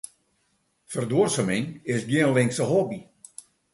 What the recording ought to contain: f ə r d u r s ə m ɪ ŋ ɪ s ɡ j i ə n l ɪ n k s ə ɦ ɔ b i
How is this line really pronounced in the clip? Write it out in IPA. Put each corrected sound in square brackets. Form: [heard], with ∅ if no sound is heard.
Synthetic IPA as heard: f ə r d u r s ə m ɪ ŋ ɪ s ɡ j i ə n l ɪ [ŋ] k s ə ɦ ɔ b i